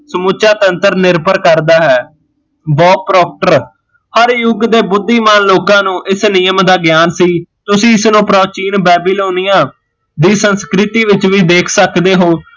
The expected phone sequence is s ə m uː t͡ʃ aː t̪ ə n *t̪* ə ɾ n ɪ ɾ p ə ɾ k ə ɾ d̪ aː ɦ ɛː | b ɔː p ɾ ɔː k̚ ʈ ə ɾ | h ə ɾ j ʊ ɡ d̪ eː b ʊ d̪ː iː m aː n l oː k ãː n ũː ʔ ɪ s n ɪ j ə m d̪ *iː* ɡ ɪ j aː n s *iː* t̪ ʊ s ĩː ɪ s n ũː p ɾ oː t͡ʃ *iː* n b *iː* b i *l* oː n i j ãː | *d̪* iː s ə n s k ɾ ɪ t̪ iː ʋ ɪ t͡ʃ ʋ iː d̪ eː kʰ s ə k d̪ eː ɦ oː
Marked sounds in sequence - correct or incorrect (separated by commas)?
correct, incorrect, correct, correct, incorrect, correct, correct